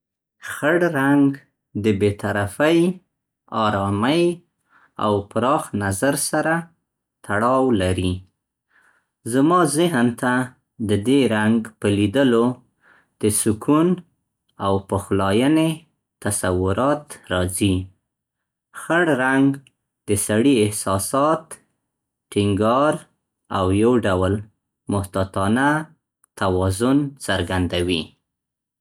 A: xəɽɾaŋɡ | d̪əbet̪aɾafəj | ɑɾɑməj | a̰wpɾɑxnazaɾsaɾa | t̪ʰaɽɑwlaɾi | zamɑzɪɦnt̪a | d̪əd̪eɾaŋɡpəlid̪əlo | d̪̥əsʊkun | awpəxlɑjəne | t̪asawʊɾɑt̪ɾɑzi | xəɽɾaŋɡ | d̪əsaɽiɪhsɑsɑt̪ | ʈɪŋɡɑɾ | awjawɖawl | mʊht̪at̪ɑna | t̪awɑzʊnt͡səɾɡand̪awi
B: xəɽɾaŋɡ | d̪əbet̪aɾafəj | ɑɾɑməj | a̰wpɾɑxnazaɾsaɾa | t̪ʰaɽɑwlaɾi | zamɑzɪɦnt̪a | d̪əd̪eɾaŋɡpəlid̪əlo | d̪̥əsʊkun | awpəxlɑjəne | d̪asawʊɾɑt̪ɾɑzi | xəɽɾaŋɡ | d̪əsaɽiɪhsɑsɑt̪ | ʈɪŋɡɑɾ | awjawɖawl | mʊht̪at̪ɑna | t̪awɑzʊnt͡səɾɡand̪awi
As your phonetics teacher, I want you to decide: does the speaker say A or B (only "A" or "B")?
A